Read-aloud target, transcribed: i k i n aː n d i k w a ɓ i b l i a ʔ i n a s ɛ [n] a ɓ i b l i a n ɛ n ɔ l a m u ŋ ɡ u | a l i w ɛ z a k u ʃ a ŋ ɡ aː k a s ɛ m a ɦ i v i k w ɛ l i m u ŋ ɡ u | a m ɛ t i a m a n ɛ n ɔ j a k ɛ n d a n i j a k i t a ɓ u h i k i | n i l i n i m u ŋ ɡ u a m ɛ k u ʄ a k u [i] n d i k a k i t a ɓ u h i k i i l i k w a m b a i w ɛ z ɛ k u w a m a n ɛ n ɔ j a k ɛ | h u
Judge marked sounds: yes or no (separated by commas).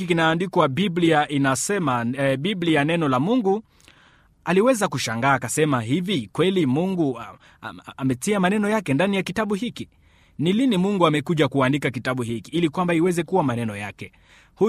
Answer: no, no